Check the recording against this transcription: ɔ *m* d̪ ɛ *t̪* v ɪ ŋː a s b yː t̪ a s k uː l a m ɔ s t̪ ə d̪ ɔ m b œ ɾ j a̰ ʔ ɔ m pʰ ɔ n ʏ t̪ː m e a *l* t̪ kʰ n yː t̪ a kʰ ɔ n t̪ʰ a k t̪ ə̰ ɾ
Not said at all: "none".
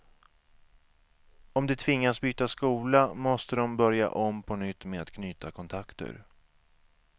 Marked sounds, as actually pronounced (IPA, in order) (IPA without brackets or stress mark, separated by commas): m, t̪ʰ, none